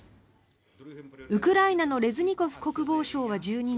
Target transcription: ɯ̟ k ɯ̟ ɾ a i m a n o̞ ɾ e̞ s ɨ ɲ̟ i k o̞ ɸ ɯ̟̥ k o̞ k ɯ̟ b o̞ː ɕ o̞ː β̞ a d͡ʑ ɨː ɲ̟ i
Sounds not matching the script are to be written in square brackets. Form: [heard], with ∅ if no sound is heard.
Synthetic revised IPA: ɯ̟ k ɯ̟ ɾ a i [n] a n o̞ ɾ e̞ [z] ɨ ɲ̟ i k o̞ ɸ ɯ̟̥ k o̞ k ɯ̟ b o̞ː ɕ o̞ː β̞ a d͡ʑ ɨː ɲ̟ i